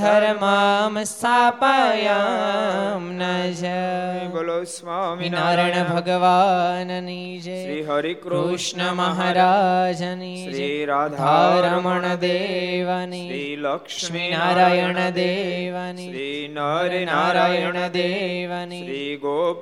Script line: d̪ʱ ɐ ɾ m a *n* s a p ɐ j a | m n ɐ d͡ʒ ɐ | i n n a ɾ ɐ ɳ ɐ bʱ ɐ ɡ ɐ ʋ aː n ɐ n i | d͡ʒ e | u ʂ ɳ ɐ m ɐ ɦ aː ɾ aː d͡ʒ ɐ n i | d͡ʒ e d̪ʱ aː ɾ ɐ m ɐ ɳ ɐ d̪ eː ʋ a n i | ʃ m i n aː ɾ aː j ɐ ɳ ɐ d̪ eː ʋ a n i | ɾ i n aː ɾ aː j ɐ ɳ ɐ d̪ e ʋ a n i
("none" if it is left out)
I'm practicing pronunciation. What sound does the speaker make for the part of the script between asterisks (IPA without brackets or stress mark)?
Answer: m